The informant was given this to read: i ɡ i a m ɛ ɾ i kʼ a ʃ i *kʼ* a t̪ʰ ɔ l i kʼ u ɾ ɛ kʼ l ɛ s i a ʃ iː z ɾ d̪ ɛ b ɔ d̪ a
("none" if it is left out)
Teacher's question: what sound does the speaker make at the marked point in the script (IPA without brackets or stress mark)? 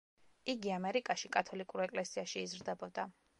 kʼ